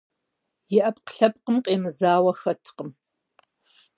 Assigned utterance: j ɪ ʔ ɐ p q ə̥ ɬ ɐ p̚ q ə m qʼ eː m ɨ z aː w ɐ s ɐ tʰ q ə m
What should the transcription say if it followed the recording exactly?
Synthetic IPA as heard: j ɪ ʔ ɐ p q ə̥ ɬ ɐ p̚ q ə m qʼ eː m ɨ z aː w ɐ x ɐ tʰ q ə m